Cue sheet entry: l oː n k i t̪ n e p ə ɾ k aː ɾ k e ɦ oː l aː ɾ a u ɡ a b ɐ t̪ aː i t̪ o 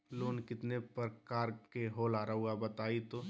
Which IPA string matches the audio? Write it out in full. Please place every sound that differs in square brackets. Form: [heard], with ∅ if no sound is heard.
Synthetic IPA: l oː n k [ɪ] t̪ n e p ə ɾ k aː ɾ k e ɦ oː l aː ɾ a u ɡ a b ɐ t̪ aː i t̪ o